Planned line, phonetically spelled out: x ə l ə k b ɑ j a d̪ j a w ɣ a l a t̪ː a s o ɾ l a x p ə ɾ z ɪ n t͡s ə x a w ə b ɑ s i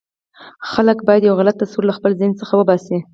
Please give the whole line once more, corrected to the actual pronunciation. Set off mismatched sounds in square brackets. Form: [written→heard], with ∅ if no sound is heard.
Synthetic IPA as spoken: x [ə→a] l ə k b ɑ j a d̪ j a w ɣ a l a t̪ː a s [o→u] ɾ l a x p ə [ɾ→l] z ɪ n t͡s ə x a w ə b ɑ s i